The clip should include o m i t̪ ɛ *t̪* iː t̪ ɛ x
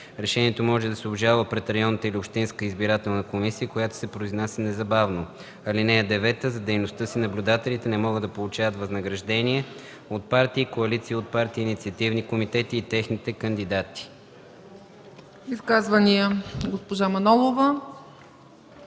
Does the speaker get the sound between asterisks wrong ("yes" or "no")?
no